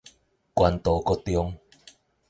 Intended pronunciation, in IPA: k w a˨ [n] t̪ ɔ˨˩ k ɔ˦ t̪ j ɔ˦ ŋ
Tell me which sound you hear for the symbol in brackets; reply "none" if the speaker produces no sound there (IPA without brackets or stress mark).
n